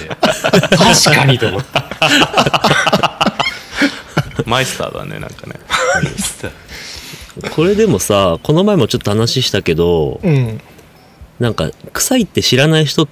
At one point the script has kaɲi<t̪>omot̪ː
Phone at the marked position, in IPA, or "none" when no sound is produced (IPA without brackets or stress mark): t̪